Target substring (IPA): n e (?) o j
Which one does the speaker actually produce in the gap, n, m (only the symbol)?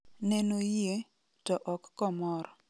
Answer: n